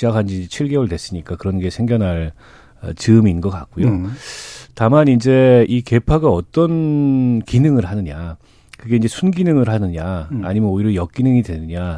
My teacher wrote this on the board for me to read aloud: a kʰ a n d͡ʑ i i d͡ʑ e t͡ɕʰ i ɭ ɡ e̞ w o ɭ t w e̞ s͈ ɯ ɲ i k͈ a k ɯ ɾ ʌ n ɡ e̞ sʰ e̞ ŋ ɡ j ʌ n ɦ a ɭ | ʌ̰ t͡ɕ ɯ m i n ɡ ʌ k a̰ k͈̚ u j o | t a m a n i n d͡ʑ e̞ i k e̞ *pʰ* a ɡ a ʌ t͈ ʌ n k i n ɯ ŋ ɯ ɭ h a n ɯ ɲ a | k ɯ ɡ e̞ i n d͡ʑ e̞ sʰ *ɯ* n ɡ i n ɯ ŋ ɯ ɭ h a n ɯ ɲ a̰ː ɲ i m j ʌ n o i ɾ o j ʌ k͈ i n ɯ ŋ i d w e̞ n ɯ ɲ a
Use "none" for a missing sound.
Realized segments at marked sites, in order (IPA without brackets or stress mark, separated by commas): pʰ, u